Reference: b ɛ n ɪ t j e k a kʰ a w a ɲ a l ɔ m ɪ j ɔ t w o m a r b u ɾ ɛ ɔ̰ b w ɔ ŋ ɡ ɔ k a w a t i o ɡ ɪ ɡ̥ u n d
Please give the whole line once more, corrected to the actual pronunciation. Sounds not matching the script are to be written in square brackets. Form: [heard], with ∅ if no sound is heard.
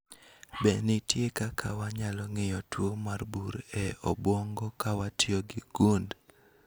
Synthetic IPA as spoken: b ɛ n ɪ t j e k a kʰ a w a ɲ a l ɔ [ŋ] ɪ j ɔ t w o m a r b u ɾ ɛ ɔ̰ b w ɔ ŋ ɡ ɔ k a w a t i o ɡ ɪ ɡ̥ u n d